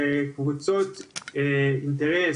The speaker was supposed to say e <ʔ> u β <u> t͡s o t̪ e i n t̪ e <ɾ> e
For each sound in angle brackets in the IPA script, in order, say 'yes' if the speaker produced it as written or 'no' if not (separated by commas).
no, yes, yes